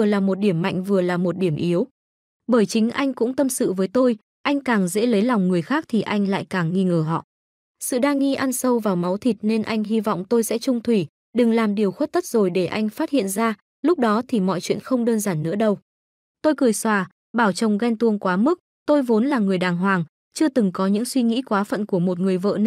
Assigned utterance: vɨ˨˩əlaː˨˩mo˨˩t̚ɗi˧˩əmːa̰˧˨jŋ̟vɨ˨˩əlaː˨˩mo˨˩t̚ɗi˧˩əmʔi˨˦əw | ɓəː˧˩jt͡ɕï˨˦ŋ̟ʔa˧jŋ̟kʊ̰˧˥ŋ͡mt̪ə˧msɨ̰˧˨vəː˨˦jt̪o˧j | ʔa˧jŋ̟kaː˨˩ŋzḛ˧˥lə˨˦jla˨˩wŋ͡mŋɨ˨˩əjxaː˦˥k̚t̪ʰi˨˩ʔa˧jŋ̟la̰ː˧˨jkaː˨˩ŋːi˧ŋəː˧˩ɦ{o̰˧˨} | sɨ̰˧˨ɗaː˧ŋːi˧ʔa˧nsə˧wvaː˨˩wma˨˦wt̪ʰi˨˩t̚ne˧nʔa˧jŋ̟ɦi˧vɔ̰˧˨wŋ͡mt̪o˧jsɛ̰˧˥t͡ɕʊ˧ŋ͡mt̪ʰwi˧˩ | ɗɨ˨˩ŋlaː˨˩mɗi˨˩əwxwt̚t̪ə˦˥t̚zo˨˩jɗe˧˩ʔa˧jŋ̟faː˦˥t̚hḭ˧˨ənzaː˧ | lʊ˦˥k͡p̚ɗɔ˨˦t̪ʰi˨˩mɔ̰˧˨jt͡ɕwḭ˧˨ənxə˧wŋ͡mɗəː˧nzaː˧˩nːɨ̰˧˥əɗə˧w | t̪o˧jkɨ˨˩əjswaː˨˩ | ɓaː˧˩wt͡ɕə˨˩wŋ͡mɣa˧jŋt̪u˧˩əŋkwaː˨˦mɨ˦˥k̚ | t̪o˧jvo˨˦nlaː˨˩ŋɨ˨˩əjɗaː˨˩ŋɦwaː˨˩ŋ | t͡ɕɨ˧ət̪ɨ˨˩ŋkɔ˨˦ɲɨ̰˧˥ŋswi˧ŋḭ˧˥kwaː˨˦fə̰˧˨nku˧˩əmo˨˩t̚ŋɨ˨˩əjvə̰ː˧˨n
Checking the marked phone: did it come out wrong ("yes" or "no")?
yes